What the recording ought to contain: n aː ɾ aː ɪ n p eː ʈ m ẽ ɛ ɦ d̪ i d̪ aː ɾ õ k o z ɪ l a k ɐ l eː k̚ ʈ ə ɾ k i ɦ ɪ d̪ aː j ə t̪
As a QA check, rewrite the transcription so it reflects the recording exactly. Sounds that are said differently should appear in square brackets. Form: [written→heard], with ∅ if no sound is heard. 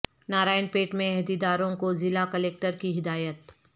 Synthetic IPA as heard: n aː ɾ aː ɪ n p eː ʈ m ẽ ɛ ɦ d̪ i d̪ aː ɾ õ k o z ɪ l a k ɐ l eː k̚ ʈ ə ɾ k i ɦ ɪ d̪ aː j ə t̪